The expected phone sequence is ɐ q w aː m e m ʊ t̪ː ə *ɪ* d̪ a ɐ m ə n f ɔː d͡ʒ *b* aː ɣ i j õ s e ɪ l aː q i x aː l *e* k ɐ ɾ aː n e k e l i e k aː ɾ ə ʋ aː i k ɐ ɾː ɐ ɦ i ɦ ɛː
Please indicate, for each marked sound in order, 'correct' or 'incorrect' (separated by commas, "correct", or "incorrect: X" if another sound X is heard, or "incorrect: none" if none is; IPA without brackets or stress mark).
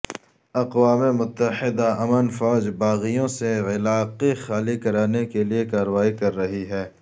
correct, correct, incorrect: i